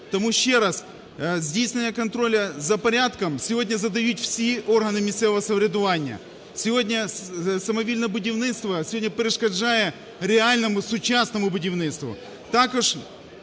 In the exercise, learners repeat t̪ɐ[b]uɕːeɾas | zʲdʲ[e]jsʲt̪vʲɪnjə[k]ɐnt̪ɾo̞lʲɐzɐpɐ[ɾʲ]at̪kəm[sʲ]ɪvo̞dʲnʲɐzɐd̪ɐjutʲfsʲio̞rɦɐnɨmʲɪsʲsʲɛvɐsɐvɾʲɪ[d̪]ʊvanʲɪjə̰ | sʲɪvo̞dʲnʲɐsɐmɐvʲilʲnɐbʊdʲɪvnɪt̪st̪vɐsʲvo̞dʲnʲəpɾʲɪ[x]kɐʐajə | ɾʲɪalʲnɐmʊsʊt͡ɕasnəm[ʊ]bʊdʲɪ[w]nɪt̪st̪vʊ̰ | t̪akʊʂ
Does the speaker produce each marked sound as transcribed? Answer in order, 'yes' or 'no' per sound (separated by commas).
no, yes, yes, yes, yes, yes, no, yes, no